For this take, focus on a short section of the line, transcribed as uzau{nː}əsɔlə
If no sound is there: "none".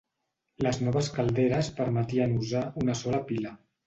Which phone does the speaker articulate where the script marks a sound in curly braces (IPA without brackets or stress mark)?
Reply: n